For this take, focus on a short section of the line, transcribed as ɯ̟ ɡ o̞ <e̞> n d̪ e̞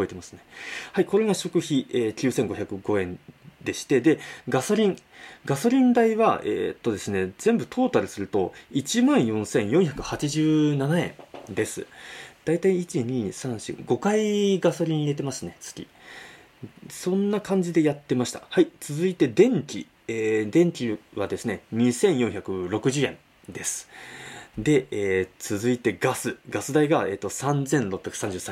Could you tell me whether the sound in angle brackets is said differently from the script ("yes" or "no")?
yes